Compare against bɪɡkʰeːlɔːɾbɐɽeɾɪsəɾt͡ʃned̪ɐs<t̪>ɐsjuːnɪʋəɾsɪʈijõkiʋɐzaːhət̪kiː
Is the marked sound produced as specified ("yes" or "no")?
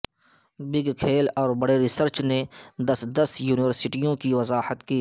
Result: no